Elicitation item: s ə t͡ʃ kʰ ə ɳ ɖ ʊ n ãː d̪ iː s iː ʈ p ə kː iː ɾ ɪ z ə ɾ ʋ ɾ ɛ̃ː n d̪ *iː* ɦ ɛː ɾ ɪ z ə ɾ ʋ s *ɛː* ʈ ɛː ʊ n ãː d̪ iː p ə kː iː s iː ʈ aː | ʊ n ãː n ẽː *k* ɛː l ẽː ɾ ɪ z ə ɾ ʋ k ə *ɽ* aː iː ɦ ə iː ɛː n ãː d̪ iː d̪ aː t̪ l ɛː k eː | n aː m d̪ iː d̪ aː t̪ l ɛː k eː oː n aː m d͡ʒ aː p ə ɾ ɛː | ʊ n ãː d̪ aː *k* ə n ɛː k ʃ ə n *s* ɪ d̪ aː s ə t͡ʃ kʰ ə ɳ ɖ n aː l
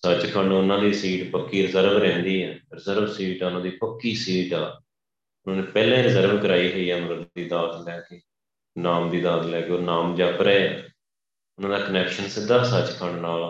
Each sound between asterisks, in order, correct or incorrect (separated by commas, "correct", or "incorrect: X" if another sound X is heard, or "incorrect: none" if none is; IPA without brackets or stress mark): correct, incorrect: iː, incorrect: p, incorrect: ɾ, correct, correct